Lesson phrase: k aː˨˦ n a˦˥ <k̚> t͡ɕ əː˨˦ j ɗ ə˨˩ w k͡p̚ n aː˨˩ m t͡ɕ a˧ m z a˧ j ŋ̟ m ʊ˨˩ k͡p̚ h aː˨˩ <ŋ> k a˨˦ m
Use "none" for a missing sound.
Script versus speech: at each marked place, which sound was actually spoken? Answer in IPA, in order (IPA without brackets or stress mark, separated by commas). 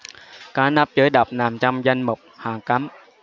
p̚, ŋ